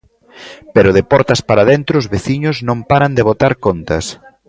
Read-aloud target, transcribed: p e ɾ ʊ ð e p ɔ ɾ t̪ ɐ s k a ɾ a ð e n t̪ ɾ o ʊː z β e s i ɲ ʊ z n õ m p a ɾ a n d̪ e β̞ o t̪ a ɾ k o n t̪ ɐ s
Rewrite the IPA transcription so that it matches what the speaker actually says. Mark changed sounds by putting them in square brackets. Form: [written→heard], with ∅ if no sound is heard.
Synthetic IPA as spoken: p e ɾ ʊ ð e p ɔ ɾ t̪ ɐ s [k→p] a ɾ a ð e n t̪ ɾ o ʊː z β e [s→θ] i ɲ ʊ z n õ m p a ɾ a n d̪ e β̞ o t̪ a ɾ k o n t̪ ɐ s